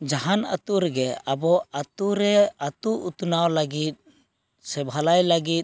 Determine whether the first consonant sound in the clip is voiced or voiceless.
voiced